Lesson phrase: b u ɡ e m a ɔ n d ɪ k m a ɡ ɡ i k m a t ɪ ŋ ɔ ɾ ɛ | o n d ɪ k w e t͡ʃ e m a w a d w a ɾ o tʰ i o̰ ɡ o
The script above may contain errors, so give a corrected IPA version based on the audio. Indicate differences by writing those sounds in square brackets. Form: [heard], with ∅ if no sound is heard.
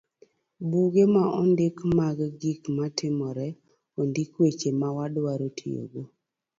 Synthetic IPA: b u ɡ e m a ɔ n d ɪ k m a ɡ ɡ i k m a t ɪ [m] ɔ ɾ ɛ | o n d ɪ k w e t͡ʃ e m a w a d w a ɾ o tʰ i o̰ ɡ o